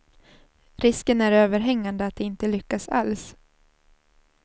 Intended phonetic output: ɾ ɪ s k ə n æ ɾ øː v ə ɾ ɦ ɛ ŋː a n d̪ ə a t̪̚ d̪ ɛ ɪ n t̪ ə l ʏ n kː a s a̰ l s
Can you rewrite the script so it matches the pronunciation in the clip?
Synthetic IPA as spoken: ɾ ɪ s k ə n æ ɾ øː v ə ɾ ɦ ɛ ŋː a n d̪ ə a t̪̚ d̪ ɛ ɪ n t̪ ə l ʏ kː a s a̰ l s